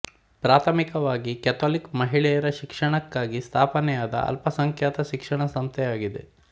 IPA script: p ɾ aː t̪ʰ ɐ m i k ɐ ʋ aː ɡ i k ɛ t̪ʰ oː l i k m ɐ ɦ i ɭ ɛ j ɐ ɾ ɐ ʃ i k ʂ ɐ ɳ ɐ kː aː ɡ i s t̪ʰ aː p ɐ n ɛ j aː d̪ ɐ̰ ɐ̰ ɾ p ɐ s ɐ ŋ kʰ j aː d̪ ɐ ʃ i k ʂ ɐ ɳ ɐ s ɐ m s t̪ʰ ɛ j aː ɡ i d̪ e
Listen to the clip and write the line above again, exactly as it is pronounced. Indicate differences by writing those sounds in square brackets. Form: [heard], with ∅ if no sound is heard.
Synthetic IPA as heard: p ɾ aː t̪ʰ ɐ m i k ɐ ʋ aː ɡ i k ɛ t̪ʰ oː l i k m ɐ ɦ i ɭ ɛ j ɐ ɾ ɐ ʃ i k ʂ ɐ ɳ ɐ kː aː ɡ i s t̪ʰ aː p ɐ n ɛ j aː d̪ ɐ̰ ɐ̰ [l] p ɐ s ɐ ŋ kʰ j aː [t̪] ɐ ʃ i k ʂ ɐ ɳ ɐ s ɐ m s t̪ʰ ɛ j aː ɡ i d̪ e